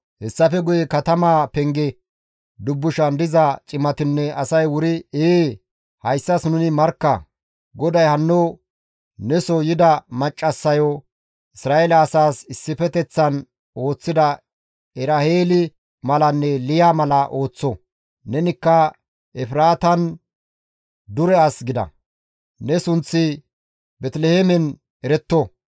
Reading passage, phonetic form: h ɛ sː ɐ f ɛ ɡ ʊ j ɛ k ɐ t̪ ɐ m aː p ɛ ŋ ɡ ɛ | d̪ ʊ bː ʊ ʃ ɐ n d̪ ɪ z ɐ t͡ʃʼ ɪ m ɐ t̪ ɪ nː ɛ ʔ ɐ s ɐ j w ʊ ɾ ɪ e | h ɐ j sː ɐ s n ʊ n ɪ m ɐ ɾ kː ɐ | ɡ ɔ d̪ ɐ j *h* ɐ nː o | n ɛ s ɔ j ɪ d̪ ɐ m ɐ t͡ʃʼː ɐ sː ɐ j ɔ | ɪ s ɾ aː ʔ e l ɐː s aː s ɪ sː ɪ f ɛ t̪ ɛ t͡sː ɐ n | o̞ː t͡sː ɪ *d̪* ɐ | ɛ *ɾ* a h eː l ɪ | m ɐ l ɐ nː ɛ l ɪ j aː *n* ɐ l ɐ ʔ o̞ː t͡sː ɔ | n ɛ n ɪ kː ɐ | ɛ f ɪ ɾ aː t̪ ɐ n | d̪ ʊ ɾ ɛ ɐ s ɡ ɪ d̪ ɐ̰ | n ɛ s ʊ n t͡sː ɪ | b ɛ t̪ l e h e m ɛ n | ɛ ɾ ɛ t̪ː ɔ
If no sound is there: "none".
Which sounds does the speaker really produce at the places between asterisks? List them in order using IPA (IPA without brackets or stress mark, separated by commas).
h, d̪, ɾ, m